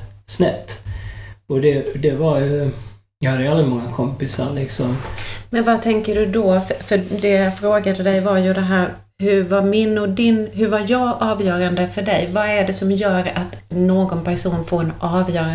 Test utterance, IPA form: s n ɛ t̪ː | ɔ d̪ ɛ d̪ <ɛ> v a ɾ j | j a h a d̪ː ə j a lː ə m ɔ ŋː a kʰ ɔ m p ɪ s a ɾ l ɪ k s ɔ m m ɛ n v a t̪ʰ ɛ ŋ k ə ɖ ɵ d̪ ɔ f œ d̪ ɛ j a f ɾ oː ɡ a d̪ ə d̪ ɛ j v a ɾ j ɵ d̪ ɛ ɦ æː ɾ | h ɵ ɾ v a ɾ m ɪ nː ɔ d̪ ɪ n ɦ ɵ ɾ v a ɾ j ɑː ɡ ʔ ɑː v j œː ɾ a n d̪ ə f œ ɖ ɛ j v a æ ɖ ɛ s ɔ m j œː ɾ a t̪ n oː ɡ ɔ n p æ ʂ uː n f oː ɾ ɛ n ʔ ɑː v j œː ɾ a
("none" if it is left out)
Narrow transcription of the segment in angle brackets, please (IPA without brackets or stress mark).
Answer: ɛ